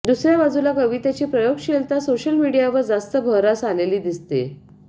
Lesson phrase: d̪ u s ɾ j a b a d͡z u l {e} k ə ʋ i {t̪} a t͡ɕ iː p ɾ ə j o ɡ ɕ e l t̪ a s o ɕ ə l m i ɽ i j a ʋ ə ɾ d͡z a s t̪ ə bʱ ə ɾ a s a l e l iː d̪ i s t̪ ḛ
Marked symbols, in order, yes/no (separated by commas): no, yes